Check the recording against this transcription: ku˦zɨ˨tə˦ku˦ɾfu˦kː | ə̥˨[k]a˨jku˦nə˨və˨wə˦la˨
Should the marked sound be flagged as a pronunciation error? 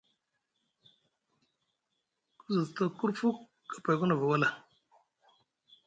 yes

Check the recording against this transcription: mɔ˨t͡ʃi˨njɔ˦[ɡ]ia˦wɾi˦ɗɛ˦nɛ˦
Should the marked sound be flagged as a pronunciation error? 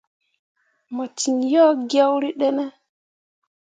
no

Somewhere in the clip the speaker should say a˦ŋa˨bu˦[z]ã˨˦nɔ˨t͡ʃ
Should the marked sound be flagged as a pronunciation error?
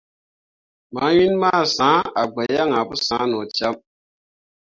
yes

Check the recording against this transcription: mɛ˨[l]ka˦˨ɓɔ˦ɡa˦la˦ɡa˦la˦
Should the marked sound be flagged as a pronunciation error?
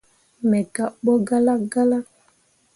yes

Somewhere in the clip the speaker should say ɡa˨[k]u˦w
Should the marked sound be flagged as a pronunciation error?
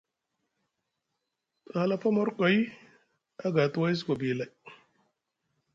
yes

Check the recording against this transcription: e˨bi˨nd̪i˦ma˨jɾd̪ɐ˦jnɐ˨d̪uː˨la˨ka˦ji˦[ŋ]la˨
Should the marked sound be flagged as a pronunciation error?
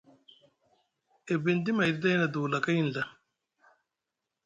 yes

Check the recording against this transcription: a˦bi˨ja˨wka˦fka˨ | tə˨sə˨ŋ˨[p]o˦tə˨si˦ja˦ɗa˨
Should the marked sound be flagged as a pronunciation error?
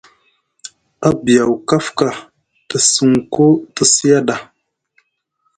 yes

